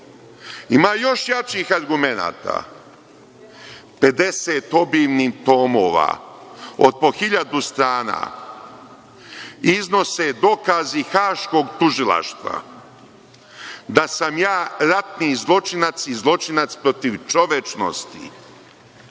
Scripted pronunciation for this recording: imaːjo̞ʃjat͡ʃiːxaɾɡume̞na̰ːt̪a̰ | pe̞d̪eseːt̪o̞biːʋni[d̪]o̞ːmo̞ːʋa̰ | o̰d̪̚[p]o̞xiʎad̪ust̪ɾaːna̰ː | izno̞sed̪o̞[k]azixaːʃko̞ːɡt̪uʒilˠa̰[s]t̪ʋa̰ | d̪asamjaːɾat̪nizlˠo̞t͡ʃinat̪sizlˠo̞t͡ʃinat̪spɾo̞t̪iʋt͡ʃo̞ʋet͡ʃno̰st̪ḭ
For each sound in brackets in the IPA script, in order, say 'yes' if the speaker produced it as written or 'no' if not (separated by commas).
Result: no, yes, yes, no